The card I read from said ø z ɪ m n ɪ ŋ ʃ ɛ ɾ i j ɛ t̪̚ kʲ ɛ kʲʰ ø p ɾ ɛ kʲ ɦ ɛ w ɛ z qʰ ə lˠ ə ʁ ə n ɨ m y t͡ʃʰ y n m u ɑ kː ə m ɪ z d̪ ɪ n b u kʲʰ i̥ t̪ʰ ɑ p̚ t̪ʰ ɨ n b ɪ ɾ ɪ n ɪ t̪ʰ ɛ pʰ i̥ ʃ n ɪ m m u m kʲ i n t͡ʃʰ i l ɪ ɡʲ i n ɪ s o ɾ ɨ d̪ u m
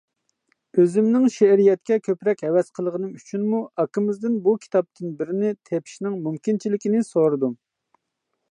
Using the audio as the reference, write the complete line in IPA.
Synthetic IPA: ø z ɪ m n ɪ ŋ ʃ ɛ ɾ i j ɛ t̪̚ kʲ ɛ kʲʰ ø p ɾ ɛ kʲ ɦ ɛ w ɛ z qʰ ə lˠ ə ʁ ə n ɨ m y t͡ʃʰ y n m u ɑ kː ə m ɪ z d̪ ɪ n b u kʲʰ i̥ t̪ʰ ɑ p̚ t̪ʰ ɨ n b ɪ ɾ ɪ n ɪ t̪ʰ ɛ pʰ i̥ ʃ n ɪ ŋ m u m kʲ i n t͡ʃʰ i l ɪ kʲ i n ɪ s o ɾ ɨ d̪ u m